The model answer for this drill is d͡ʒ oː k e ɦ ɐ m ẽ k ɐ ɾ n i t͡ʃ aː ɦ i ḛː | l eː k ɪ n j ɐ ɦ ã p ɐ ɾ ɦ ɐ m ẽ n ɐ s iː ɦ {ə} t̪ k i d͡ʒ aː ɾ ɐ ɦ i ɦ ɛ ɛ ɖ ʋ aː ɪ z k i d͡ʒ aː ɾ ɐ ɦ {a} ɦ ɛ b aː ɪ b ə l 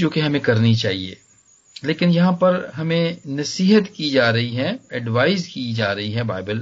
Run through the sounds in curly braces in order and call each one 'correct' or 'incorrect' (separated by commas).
correct, incorrect